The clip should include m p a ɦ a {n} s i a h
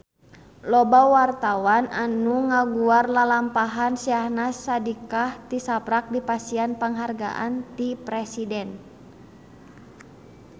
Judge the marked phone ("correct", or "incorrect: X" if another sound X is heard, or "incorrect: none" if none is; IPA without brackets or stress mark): correct